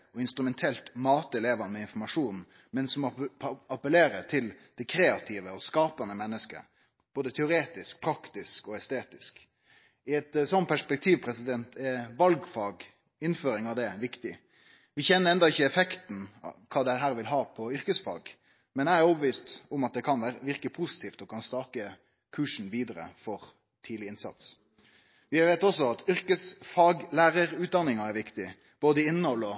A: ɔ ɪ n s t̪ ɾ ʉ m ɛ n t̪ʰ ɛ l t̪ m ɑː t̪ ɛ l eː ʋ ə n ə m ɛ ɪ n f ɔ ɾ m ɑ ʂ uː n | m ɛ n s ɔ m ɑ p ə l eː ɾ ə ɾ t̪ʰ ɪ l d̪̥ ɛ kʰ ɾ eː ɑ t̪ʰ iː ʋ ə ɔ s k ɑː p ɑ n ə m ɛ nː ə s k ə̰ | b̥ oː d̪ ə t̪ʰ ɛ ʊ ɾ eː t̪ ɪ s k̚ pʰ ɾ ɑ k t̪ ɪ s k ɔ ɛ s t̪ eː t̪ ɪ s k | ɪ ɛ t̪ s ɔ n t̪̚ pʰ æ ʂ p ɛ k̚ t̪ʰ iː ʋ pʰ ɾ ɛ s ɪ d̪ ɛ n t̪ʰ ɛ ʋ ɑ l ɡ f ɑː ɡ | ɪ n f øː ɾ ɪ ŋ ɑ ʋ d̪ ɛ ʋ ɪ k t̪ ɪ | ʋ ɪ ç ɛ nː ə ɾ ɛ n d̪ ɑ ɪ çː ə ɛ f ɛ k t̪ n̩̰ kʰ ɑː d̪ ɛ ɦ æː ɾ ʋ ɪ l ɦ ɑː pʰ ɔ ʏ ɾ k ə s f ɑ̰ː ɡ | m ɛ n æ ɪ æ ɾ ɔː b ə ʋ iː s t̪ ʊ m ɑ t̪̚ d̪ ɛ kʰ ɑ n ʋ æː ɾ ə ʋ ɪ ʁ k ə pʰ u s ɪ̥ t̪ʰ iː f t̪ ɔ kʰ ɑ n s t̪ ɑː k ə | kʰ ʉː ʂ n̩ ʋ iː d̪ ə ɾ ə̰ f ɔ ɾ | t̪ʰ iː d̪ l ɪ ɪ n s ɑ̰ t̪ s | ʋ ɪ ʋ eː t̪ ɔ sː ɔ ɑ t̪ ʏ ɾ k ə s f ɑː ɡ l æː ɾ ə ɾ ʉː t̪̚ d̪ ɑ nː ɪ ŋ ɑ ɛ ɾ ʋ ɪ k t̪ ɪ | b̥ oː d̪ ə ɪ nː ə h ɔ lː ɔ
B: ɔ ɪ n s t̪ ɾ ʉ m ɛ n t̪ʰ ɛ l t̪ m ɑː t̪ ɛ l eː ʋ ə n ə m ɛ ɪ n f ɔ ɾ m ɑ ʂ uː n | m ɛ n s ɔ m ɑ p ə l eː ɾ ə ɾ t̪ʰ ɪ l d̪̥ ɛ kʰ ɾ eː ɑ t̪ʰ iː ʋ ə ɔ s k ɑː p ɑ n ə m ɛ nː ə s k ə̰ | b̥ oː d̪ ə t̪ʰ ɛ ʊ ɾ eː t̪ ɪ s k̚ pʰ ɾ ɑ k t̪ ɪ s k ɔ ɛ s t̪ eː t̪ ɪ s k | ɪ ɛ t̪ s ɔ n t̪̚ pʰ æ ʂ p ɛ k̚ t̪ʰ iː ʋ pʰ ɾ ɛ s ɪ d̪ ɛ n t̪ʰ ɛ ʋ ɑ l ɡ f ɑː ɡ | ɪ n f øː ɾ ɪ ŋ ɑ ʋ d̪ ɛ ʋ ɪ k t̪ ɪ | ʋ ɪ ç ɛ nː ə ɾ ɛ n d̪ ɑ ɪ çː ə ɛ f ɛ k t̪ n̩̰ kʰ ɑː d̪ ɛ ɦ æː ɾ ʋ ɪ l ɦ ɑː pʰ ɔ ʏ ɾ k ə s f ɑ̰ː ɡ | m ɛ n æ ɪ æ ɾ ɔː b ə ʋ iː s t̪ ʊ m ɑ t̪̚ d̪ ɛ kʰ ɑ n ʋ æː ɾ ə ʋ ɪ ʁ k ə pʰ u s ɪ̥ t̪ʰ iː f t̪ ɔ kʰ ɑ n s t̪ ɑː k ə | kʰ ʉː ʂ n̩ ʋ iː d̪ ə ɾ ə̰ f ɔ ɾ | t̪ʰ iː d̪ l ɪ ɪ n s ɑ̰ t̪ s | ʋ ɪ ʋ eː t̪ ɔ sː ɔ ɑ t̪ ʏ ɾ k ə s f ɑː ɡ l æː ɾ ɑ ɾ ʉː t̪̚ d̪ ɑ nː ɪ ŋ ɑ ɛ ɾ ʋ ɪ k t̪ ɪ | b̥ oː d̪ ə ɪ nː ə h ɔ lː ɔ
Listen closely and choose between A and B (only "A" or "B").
A